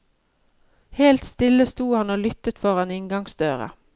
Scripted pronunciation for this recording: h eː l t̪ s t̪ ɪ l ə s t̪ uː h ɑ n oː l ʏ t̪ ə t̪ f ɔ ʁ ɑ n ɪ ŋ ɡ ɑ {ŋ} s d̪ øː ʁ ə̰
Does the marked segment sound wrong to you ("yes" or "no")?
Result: no